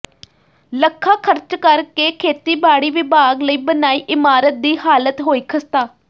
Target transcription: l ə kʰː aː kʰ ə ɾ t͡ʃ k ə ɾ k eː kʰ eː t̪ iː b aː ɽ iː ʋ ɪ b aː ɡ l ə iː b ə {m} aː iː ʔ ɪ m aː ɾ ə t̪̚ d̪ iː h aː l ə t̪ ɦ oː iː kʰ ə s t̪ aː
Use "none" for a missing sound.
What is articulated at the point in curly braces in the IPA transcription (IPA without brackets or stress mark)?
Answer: n